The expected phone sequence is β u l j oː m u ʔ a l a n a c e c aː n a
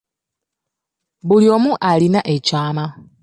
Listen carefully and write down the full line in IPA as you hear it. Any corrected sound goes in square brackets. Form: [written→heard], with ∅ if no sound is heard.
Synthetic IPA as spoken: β u l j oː m u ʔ a l [a→i] n a [c→ʔ] e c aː [n→m] a